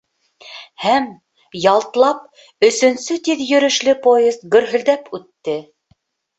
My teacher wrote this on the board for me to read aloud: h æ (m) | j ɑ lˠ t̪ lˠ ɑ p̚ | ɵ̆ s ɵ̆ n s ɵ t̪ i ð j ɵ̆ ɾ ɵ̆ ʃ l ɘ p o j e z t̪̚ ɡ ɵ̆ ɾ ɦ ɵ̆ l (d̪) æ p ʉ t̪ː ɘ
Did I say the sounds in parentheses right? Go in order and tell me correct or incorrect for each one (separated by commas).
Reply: correct, correct